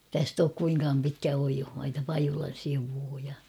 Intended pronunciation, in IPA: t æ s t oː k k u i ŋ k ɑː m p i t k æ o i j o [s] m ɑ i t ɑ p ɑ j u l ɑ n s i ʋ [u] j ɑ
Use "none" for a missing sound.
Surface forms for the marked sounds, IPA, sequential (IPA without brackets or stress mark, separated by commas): h, uː